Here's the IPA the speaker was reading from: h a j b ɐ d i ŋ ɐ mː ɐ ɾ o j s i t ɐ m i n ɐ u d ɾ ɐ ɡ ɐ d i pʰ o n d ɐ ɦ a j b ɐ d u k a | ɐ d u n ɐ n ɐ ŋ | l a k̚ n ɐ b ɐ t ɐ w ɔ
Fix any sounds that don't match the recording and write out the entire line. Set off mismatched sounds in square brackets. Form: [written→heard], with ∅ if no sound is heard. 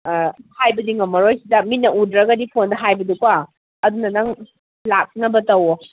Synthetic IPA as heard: h a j b ɐ d i ŋ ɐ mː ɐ ɾ o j s i [t→d] ɐ m i n ɐ u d ɾ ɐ ɡ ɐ d i pʰ o n d ɐ ɦ a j b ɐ d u k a | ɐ d u n ɐ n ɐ ŋ | l a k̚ n ɐ b ɐ t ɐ w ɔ

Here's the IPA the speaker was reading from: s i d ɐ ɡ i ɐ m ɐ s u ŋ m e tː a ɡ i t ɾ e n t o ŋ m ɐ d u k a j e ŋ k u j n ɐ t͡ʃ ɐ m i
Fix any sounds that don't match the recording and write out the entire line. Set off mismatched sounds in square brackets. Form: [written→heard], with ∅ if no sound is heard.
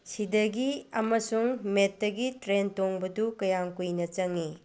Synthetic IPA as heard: s i d ɐ ɡ i ɐ m ɐ s u ŋ m e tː [a→ɐ] ɡ i t ɾ e n t o ŋ [m→b] ɐ d u k [a→ɐ] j [e→a] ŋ k u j n ɐ t͡ʃ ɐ [m→ŋ] i

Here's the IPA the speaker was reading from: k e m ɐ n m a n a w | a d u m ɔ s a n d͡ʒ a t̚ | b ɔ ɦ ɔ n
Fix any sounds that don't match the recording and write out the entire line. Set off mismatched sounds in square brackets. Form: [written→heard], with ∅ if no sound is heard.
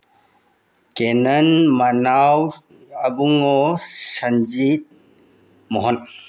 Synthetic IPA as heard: k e [m→n] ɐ n m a n a w | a [d→b] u [m→ŋ] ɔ s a n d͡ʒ [a→i] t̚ | [b→m] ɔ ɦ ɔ n

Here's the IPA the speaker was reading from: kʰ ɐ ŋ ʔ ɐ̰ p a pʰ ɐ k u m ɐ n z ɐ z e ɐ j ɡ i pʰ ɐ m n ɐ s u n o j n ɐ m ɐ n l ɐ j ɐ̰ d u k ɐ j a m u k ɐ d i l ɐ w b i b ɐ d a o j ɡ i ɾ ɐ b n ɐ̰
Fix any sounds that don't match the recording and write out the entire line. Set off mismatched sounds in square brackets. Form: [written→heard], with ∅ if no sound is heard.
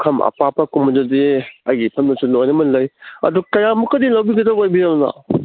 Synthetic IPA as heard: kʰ ɐ [ŋ→m] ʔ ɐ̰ p a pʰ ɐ k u m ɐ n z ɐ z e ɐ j ɡ i pʰ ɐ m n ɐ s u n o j n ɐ m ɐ n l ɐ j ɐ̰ d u k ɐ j a m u k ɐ d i l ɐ w b i [b→ɡ] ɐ d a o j [ɡ→b] i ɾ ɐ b n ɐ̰

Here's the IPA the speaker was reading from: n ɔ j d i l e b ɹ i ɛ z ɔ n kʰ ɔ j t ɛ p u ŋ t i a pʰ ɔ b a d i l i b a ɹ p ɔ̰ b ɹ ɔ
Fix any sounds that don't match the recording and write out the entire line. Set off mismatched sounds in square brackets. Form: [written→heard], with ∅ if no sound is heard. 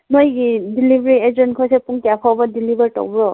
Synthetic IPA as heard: n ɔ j d i l [e→i] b ɹ i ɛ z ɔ n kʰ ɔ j [t→s] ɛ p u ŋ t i a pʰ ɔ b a d i l i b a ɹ [p→t] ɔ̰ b ɹ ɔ

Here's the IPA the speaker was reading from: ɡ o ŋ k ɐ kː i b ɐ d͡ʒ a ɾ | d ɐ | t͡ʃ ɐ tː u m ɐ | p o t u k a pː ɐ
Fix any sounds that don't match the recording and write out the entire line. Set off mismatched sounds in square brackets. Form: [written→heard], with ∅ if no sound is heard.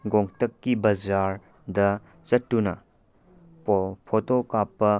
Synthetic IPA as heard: ɡ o ŋ [k→t] ɐ kː i b ɐ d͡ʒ a ɾ | d ɐ | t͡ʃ ɐ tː u [m→n] ɐ | [p→pʰ] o t [u→o] k a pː ɐ

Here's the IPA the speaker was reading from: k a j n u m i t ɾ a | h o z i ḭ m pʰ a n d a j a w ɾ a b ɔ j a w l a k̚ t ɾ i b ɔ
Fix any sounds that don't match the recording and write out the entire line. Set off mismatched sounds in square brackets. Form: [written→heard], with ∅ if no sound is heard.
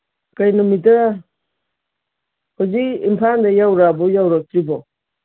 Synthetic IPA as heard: k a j n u m i t ɾ a | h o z i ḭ m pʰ a n d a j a w ɾ a b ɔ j a w [l→ɾ] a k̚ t ɾ i b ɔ

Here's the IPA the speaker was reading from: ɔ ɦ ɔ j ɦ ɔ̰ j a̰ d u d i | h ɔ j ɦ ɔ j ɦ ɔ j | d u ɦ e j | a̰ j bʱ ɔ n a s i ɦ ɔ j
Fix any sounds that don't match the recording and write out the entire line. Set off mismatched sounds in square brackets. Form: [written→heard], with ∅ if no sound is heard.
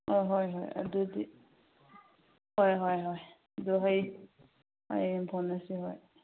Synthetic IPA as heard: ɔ ɦ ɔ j ɦ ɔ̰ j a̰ d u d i | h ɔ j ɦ ɔ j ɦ ɔ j | d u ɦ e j | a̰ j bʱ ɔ n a s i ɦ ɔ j

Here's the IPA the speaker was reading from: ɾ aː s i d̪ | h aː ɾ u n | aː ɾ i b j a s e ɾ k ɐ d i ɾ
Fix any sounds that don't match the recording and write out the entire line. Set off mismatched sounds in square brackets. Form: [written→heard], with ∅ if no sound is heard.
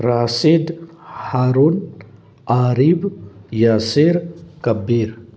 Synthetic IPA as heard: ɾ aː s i d̪ | h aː ɾ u n | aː ɾ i b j a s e ɾ k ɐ [d→b] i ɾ

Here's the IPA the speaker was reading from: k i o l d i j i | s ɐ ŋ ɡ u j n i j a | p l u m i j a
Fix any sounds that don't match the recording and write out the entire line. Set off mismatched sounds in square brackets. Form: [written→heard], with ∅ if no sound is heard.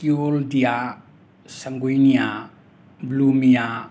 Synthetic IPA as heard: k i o l d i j [i→a] | s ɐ ŋ ɡ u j n i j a | [p→b] l u m i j a

